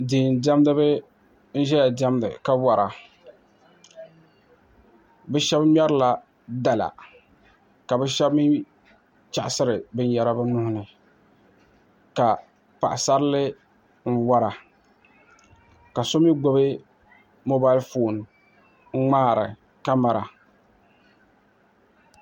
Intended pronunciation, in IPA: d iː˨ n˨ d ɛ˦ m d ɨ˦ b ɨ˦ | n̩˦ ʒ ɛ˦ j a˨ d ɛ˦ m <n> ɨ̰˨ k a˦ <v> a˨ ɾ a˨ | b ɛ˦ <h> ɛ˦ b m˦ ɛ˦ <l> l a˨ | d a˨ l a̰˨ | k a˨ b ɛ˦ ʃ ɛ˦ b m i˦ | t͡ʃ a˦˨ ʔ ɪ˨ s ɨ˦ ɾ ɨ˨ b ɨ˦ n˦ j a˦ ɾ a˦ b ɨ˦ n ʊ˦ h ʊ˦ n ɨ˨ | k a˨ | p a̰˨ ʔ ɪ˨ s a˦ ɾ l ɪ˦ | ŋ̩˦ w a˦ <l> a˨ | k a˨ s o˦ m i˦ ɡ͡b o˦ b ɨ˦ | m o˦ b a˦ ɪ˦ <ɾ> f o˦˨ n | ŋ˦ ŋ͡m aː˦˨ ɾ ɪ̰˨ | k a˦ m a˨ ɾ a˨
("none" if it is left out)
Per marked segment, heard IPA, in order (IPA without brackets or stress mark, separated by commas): d, w, ʃ, ɾ, ɾ, l